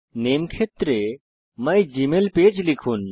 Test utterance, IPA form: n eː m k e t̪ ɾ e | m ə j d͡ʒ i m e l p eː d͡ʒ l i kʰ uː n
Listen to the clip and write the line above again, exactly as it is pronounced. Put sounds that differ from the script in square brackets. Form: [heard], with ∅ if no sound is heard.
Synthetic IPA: n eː m [kʰ] e t̪ ɾ e | m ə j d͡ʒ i m e l p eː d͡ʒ l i kʰ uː n

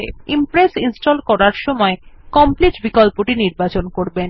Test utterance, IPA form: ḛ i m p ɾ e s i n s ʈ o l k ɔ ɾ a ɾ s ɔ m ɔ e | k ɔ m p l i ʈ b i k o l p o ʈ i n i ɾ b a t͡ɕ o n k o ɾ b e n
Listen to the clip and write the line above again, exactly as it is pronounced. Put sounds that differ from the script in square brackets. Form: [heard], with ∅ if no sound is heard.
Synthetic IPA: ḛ i m p ɾ e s i n s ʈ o l k ɔ ɾ a ɾ [ʃ] ɔ m ɔ e | k ɔ m p l i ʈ b i k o l p o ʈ i n i ɾ b a t͡ɕ o n k o ɾ b e n

